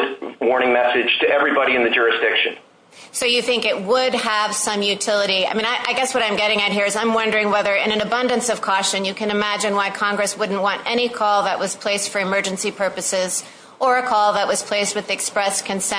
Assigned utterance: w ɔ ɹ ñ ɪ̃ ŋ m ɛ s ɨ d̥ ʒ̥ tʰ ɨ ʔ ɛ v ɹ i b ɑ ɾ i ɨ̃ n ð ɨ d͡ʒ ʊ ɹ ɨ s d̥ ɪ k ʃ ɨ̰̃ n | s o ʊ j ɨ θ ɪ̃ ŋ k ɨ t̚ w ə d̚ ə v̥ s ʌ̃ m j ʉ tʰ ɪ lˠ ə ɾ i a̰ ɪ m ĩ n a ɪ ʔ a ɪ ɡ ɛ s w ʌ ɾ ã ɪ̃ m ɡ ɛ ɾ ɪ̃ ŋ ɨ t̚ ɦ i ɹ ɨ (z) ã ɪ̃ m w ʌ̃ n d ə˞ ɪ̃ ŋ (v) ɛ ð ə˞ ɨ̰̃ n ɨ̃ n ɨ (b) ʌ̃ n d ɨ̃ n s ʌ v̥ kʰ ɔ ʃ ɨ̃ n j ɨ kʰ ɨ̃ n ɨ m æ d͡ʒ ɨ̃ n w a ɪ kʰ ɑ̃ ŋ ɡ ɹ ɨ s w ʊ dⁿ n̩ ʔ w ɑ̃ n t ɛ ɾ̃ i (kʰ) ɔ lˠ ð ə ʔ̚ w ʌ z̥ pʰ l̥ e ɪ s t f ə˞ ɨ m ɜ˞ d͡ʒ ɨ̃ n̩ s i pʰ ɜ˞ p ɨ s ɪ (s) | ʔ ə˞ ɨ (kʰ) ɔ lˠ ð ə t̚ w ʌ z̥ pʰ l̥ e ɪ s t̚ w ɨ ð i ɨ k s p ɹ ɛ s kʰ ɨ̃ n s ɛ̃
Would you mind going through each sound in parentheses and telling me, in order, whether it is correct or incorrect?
correct, incorrect: w, correct, correct, incorrect: z, correct

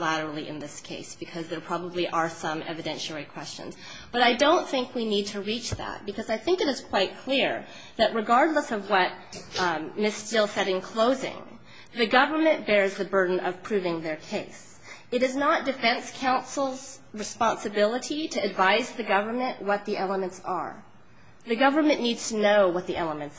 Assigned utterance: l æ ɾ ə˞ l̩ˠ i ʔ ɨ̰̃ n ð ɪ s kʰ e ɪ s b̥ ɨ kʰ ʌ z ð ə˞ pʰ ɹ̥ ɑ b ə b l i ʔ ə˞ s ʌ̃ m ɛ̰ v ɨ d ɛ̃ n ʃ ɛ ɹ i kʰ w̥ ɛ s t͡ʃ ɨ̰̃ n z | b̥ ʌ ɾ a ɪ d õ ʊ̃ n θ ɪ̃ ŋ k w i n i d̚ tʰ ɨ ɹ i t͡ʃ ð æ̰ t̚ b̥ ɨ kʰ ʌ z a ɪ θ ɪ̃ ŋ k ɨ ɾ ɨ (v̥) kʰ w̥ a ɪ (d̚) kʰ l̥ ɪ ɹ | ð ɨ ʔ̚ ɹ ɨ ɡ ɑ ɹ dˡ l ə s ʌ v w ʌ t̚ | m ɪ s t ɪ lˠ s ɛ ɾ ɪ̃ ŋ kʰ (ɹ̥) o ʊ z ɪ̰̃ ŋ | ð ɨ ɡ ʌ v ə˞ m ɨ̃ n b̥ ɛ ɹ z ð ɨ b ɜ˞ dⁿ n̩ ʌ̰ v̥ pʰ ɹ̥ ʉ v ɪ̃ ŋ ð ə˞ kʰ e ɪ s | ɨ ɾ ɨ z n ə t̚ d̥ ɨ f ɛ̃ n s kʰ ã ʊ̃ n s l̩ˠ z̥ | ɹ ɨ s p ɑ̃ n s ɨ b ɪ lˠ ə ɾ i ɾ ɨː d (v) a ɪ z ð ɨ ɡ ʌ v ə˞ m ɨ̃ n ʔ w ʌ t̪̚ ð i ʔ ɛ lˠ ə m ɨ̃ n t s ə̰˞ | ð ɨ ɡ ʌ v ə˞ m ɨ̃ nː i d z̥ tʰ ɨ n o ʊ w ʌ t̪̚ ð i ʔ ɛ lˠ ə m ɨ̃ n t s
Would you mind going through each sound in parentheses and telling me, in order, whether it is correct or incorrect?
incorrect: z̥, incorrect: t̚, incorrect: l̥, correct

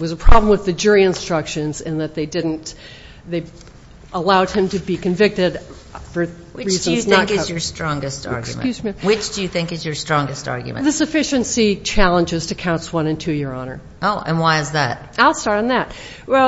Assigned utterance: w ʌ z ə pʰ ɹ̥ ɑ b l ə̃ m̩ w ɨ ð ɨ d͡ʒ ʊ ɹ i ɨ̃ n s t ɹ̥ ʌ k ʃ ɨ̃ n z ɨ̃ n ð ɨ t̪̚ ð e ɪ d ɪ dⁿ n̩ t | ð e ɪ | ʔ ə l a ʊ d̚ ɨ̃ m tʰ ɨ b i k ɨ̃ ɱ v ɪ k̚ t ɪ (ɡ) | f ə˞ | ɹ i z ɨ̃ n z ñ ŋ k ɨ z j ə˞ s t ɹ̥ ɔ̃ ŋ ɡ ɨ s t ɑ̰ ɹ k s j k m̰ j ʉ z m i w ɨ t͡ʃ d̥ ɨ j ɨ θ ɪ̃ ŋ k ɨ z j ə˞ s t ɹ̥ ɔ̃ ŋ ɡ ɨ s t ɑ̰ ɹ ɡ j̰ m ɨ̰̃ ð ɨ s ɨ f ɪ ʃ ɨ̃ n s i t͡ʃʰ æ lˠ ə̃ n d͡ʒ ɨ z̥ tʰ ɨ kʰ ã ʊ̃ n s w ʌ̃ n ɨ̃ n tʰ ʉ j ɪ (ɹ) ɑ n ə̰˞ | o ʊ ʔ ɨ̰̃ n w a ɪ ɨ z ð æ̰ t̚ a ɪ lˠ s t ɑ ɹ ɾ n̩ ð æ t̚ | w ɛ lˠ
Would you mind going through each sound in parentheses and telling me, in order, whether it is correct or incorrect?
incorrect: d, correct

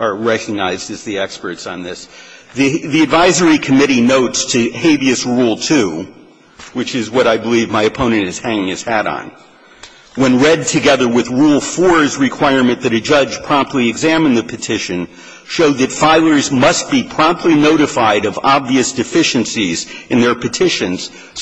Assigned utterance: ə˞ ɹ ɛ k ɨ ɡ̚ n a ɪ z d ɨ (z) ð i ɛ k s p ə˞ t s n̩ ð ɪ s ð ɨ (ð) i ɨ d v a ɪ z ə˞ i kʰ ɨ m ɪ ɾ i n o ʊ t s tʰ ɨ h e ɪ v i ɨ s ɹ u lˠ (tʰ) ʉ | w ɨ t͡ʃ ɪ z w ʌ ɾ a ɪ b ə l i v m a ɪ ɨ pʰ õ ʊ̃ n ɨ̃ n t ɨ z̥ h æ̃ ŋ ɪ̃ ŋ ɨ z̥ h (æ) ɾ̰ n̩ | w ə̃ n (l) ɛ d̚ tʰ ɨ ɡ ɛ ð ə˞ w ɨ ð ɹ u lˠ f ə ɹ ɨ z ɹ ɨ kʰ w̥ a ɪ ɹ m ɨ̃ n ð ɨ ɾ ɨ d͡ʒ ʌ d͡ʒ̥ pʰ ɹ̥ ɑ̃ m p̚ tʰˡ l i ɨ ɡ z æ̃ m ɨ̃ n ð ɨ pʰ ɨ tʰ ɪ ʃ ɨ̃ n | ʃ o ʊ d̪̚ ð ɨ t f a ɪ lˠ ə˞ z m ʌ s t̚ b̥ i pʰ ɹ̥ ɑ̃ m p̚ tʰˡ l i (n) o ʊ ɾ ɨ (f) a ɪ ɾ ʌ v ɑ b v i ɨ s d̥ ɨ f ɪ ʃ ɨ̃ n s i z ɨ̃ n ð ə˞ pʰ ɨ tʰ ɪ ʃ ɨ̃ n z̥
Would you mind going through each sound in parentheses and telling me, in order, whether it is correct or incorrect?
correct, correct, correct, correct, incorrect: ɹ, correct, correct

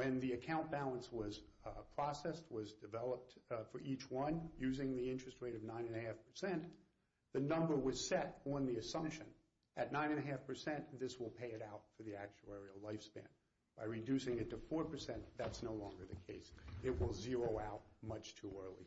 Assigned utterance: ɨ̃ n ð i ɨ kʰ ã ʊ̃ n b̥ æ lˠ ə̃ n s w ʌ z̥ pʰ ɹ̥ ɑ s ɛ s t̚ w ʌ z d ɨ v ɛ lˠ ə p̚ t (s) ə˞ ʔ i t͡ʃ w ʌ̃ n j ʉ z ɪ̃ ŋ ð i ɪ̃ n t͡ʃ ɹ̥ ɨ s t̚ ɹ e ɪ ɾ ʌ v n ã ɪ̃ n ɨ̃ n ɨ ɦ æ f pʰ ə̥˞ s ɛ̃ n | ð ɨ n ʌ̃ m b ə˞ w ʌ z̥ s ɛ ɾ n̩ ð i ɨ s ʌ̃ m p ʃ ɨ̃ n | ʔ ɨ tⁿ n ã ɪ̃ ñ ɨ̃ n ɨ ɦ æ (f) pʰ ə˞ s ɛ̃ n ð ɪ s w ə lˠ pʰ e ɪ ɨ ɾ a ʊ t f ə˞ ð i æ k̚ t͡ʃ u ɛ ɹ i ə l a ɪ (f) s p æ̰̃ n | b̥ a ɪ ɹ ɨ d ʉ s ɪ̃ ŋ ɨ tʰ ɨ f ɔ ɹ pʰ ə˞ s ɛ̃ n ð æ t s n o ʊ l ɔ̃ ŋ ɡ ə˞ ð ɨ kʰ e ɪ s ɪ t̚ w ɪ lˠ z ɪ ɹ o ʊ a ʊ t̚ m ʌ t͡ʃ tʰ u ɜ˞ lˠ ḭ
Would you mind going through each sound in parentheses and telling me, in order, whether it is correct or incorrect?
incorrect: f, correct, correct

